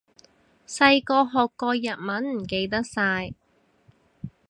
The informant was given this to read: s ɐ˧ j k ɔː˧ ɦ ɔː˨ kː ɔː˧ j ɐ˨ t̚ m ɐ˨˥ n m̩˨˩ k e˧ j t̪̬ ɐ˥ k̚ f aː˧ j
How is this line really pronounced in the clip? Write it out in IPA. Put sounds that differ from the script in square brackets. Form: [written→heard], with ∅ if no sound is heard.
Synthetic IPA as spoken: s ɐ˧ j k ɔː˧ ɦ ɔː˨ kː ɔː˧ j ɐ˨ t̚ m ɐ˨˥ n m̩˨˩ k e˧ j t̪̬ ɐ˥ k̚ [f→s] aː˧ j